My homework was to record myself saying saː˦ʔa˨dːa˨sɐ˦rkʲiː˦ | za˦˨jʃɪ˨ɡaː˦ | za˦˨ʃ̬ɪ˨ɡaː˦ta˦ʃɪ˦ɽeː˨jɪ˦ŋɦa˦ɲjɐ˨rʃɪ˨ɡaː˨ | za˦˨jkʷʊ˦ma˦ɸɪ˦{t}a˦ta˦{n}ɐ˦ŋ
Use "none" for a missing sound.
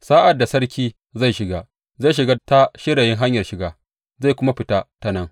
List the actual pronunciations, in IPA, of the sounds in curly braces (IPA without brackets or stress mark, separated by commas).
t, n